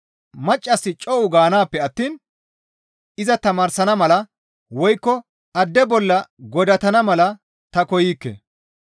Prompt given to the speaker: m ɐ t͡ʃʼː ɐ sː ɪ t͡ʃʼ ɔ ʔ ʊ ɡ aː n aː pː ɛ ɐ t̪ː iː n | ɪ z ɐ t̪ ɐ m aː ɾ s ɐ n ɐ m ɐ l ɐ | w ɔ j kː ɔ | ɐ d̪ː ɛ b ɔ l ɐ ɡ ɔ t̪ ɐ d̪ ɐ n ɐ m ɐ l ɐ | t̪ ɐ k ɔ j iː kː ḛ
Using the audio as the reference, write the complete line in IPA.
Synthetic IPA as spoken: m ɐ t͡ʃʼː ɐ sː ɪ t͡ʃʼ ɔ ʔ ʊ ɡ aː n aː pː ɛ ɐ t̪ː iː n | ɪ z ɐ t̪ ɐ m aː ɾ s ɐ n ɐ m ɐ l ɐ | w ɔ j kː ɔ | ɐ d̪ː ɛ b ɔ lː ɐ ɡ ɔ d̪ ɐ t̪ ɐ n ɐ m ɐ l ɐ | t̪ ɐ k ɔ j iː kː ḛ